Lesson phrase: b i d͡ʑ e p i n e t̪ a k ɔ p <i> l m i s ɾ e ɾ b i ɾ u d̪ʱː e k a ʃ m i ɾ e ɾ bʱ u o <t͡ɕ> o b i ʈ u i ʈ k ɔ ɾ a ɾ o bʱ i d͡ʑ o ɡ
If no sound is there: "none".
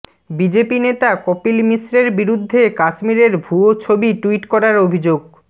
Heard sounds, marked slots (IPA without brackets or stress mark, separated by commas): i, t͡ɕʰ